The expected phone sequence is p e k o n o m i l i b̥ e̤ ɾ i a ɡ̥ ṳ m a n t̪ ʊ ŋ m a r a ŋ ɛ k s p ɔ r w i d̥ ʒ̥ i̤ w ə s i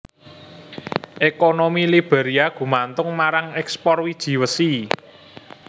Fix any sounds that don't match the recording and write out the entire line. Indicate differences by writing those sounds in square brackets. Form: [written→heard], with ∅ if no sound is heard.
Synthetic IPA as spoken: [p→ʔ] e k o n o m i l i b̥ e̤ ɾ i a ɡ̥ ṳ m a n t̪ ʊ ŋ m a [r→ɾ] a ŋ ɛ k s p ɔ r w i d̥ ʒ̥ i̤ w ə s i